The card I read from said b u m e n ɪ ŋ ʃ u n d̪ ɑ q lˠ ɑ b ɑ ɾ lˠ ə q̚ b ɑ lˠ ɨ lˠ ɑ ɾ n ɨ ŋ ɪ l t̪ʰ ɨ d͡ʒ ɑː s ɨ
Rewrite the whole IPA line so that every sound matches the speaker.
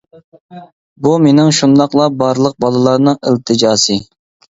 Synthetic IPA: b u m e n ɪ ŋ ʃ u n d̪ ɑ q lˠ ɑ b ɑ ɾ lˠ ə q̚ b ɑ lˠ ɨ lˠ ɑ ɾ n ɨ ŋ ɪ l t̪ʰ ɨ d͡ʒ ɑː s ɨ